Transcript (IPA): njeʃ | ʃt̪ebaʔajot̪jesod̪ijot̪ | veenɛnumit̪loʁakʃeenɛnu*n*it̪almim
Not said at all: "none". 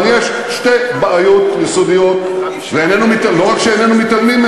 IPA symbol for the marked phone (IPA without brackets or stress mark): m